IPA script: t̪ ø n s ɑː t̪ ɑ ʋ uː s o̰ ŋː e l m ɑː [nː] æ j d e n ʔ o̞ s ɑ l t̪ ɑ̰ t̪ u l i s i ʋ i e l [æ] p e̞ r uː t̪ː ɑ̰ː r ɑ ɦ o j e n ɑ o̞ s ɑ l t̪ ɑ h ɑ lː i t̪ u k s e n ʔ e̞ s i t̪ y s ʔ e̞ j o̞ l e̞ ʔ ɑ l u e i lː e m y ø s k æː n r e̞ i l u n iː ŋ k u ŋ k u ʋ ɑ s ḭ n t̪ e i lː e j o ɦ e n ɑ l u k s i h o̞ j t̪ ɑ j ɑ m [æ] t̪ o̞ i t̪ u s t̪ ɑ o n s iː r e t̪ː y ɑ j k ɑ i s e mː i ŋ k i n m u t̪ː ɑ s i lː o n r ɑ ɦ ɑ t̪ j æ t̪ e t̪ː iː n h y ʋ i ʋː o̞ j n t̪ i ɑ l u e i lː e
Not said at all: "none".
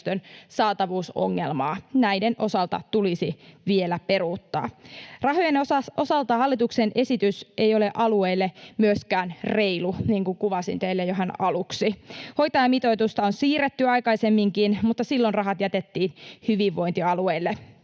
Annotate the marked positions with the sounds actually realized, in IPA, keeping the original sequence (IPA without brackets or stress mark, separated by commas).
n, æ, i